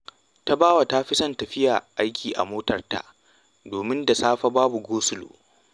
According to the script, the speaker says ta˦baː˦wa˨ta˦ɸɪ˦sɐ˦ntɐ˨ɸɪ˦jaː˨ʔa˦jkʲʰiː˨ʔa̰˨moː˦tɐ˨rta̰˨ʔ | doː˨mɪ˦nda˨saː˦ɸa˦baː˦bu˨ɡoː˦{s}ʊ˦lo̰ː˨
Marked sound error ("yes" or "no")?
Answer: no